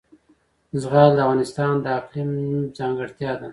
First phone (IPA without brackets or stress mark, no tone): z